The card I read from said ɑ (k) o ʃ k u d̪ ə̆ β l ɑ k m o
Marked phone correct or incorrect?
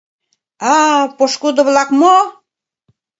incorrect